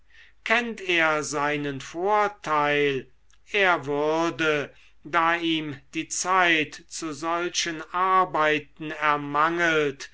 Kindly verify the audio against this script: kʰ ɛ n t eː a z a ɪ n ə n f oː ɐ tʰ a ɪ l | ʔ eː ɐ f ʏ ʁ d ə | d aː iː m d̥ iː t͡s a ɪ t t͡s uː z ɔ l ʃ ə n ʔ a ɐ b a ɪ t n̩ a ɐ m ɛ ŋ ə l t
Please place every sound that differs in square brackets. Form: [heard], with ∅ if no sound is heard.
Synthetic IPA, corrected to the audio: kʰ ɛ n t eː [ɐ] z a ɪ n ə n f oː ɐ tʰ a ɪ l | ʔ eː ɐ [v] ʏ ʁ d ə | d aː iː m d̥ iː t͡s a ɪ t t͡s [u] z ɔ l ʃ ə n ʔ a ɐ b a ɪ t n̩ [ɛ] ɐ m [a] ŋ ə l t